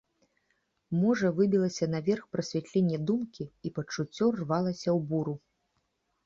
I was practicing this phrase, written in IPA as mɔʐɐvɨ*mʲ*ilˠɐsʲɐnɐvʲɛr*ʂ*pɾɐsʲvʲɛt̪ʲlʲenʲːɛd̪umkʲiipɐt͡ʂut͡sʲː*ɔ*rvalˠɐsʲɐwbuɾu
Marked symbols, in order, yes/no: no, no, yes

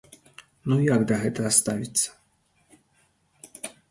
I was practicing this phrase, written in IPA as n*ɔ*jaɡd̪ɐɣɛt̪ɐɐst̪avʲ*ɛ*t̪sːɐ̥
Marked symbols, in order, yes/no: no, no

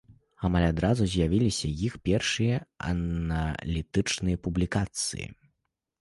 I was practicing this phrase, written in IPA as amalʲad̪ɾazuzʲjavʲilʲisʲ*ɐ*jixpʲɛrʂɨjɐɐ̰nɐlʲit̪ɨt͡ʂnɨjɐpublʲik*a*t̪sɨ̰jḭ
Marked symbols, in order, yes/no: yes, yes

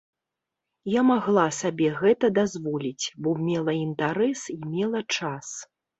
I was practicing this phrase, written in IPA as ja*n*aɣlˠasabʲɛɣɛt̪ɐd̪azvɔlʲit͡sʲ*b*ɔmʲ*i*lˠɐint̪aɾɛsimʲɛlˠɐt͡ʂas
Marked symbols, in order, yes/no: no, yes, no

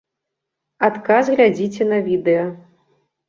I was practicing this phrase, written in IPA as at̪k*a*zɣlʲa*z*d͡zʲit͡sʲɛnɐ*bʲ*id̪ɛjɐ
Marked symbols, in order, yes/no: yes, no, no

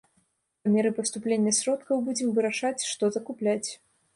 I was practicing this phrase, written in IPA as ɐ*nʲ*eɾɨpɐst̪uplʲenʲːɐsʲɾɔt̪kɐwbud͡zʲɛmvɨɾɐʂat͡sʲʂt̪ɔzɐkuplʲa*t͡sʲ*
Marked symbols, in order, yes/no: no, yes

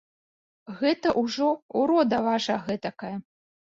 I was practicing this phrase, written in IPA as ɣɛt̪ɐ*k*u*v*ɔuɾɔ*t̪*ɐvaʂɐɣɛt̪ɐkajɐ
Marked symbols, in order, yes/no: no, no, no

